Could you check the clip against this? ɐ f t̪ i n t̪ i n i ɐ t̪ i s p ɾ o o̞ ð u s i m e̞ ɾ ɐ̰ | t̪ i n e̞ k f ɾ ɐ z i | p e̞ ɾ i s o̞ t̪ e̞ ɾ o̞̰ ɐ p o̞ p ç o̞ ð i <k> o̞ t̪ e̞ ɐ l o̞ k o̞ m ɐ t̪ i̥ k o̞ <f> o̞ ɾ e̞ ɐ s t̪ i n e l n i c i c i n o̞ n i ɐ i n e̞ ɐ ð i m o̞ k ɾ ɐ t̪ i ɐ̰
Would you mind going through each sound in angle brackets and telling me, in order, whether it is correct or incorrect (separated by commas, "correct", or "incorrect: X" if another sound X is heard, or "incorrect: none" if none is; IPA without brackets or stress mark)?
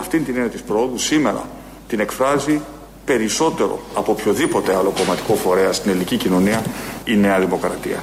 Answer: incorrect: p, correct